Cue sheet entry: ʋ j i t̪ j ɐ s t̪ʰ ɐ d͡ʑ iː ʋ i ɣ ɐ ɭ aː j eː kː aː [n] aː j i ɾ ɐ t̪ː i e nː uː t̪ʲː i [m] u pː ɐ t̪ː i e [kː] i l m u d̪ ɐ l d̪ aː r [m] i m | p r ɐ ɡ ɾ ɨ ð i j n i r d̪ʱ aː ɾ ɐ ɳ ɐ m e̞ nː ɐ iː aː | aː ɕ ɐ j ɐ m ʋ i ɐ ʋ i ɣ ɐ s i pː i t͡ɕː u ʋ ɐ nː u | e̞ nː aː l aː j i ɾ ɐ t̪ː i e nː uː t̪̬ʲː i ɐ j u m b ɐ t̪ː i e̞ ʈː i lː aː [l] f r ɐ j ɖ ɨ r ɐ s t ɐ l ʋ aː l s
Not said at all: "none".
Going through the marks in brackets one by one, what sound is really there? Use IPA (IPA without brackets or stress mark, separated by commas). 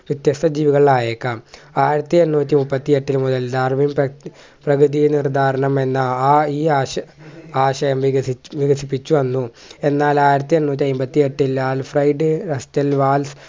m, m, ʈː, m, l